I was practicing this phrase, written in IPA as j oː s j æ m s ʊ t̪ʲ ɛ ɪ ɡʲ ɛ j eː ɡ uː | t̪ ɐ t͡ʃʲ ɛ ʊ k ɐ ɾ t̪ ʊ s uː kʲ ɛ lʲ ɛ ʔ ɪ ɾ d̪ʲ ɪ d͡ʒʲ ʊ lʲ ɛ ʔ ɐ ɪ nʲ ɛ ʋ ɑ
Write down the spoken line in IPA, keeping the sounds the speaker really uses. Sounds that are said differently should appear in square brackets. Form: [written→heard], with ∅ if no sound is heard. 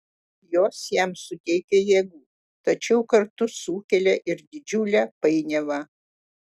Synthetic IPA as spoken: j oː s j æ m s ʊ t̪ʲ ɛ ɪ [ɡʲ→kʲ] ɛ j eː ɡ uː | t̪ ɐ t͡ʃʲ ɛ ʊ k ɐ ɾ t̪ ʊ s uː kʲ ɛ lʲ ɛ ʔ ɪ ɾ d̪ʲ ɪ d͡ʒʲ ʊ lʲ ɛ [ʔ→p] ɐ ɪ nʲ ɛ ʋ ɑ